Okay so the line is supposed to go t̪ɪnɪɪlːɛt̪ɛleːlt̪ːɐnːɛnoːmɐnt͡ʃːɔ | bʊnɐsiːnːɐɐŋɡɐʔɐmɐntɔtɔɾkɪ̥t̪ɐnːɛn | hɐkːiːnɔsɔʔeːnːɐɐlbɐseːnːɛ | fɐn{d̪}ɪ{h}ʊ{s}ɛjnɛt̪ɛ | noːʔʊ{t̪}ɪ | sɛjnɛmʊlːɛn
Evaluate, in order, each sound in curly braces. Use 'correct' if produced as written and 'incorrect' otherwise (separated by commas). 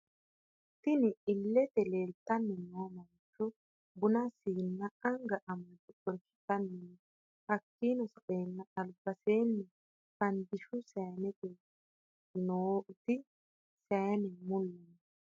correct, incorrect, correct, correct